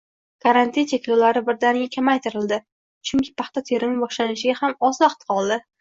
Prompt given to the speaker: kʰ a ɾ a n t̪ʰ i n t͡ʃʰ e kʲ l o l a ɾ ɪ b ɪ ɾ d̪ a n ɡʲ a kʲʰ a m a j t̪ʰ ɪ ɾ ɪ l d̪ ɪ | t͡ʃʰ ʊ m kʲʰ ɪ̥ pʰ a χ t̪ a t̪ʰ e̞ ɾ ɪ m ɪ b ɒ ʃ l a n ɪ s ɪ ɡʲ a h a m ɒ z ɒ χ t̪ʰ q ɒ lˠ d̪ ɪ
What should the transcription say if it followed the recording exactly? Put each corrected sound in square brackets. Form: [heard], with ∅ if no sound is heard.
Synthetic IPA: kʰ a ɾ a n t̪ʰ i n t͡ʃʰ e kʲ l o l a ɾ ɪ b ɪ ɾ d̪ a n ɡʲ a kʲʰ a m a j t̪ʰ ɪ ɾ ɪ l d̪ ɪ | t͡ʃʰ ʊ [ŋ] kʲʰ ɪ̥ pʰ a χ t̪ a t̪ʰ e̞ ɾ ɪ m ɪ b ɒ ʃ l a n ɪ [ʃ] ɪ ɡʲ a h a m ɒ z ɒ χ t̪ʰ q ɒ lˠ d̪ ɪ